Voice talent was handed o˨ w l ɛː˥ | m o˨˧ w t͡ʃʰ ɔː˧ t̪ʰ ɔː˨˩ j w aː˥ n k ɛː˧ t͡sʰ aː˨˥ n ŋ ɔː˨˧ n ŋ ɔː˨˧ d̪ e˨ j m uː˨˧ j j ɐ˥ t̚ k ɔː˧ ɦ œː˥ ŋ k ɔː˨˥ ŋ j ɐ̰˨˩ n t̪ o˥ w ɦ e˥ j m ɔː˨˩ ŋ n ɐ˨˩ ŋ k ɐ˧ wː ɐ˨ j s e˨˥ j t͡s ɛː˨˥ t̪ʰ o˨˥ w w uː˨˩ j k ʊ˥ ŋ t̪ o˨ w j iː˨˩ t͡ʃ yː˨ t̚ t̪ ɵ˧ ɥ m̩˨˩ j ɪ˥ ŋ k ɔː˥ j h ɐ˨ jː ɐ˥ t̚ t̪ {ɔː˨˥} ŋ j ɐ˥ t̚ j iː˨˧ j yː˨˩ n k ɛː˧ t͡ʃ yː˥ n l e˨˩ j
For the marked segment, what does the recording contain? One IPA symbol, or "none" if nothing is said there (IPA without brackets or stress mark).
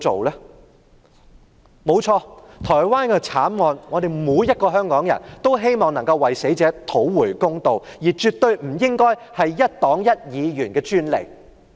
ɔː˨˥